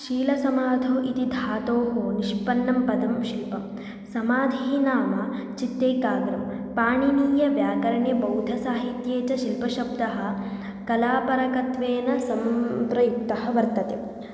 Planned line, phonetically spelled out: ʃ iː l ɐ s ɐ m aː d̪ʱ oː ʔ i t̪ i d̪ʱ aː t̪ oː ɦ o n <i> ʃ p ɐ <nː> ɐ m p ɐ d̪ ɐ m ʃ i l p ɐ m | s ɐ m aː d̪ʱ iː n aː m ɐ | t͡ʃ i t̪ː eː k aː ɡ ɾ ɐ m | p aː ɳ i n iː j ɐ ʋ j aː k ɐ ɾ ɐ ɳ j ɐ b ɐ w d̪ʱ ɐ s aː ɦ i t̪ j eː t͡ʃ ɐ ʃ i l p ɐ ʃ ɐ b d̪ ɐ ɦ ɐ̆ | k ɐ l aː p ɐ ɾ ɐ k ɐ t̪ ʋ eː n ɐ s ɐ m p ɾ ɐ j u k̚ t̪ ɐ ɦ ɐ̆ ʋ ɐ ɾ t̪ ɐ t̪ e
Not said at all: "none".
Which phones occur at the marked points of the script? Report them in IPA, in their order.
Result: i, nː

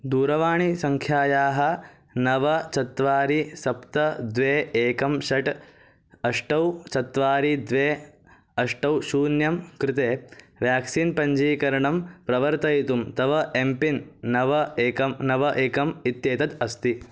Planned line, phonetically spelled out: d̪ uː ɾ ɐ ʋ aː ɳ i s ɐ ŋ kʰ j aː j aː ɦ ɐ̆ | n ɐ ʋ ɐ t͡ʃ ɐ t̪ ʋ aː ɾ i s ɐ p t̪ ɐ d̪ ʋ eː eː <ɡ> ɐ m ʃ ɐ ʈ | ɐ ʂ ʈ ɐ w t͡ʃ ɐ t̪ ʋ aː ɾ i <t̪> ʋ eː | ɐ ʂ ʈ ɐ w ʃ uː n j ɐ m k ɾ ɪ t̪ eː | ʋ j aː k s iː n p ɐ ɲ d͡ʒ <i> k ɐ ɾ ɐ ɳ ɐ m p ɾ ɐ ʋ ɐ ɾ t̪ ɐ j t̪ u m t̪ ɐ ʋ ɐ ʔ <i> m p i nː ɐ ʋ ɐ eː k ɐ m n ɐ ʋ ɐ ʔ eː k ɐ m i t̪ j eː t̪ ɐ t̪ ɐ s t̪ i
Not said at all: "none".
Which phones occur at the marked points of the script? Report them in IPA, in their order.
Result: k, d̪, iː, e

